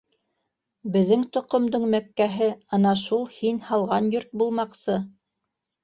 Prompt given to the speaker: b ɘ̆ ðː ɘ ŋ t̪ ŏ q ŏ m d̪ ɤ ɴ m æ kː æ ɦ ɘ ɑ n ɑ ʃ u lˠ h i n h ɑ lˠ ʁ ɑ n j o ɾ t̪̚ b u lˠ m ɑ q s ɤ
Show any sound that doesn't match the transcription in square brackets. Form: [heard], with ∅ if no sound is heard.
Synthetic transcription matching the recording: b ɘ̆ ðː ɘ ŋ t̪ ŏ q ŏ m d̪ ɤ ɴ m æ kː æ ɦ ɘ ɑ n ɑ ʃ u lˠ h i n h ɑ lˠ ʁ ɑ n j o ɾ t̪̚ b u lˠ m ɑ q s ɤ